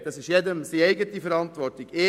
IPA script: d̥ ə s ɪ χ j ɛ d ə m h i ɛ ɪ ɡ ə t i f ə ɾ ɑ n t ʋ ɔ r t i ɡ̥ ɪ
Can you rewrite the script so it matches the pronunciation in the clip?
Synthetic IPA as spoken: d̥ ɑ s ɪ ʃ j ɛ d ə m s i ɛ ɪ ɡ ə t i f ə ɾ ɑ n t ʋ ɔ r t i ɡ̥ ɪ